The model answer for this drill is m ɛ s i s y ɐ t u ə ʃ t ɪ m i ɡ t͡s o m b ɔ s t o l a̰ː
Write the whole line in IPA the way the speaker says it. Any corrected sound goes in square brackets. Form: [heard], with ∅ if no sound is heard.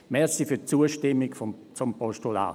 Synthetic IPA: m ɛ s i [f] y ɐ [t͡s] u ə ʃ t ɪ m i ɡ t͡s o m [p] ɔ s t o l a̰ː